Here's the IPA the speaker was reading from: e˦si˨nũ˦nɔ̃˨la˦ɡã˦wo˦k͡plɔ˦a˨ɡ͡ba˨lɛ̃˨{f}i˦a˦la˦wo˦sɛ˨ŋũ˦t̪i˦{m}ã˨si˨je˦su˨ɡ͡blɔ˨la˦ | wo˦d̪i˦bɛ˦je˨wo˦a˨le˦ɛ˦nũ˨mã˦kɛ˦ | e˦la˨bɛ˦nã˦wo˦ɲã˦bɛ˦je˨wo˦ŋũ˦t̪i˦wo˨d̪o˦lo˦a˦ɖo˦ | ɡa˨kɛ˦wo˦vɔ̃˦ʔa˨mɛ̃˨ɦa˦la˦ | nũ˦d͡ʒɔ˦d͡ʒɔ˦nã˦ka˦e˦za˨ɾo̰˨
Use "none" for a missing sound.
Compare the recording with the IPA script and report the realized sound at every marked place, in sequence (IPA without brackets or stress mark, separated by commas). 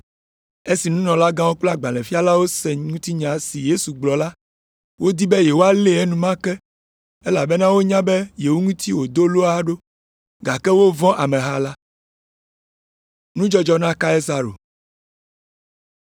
f, ɲ